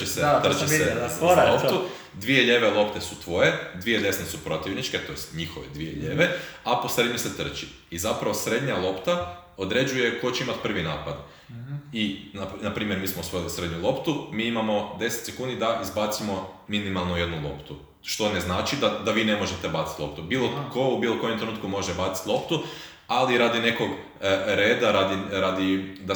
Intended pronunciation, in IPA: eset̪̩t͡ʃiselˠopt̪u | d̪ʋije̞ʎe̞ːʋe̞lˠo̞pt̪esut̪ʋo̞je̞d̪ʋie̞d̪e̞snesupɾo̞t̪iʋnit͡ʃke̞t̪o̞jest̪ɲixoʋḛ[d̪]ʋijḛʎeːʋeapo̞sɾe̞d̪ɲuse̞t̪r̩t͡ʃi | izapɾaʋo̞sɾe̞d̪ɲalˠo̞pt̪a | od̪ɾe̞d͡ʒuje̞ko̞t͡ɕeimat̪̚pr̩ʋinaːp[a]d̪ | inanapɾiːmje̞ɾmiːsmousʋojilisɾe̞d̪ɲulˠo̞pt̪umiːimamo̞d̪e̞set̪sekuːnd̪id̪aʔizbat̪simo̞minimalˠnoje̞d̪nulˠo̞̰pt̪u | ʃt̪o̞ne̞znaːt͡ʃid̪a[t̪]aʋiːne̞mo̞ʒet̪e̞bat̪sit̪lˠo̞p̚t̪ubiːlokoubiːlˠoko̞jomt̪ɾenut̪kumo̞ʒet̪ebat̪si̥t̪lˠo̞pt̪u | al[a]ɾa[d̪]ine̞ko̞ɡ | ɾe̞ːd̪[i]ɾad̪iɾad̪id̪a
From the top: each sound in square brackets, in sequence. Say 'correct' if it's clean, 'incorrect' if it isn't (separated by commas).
correct, correct, incorrect, incorrect, correct, incorrect